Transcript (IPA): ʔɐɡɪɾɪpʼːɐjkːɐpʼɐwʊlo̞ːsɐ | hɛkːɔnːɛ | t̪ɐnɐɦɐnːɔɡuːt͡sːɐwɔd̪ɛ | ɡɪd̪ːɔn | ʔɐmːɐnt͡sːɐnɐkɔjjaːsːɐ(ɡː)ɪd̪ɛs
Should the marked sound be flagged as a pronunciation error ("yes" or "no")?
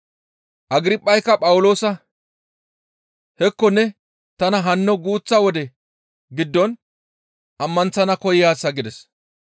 yes